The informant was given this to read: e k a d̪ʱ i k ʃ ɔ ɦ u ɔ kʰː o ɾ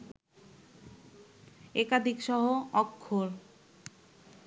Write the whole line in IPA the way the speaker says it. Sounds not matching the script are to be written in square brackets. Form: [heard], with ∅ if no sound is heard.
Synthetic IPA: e k a d̪ʱ i k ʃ ɔ ɦ [o] ɔ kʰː o ɾ